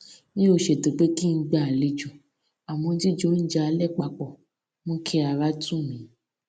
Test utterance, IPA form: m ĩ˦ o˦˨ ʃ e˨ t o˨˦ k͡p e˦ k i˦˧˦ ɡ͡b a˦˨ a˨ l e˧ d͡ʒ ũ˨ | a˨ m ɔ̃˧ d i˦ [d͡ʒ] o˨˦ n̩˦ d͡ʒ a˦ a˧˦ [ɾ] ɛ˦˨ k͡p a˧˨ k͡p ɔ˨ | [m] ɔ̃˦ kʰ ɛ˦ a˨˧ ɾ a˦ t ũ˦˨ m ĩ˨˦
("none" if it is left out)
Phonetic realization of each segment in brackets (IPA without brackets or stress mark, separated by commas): d͡ʒ, l, m